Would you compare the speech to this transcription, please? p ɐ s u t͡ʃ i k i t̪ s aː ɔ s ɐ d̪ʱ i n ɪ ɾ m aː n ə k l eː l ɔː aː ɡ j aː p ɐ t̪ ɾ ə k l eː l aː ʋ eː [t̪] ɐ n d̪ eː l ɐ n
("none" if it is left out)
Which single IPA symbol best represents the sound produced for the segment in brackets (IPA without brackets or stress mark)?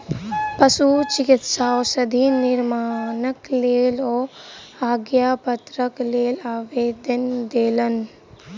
d̪